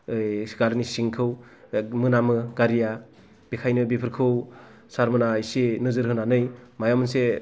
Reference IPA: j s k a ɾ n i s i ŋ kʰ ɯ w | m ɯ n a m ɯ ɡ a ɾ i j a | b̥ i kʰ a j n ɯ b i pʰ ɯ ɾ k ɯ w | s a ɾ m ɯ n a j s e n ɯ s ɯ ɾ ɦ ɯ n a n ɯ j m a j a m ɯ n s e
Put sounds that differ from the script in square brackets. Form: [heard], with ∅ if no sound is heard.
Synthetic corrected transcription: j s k a ɾ n i s i ŋ kʰ ɯ w | m ɯ n a m ɯ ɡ a ɾ i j a | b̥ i kʰ a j n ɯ b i pʰ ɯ ɾ [kʰ] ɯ w | s a ɾ m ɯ n a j s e n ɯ [z] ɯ ɾ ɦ ɯ n a n ɯ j m a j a m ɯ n s e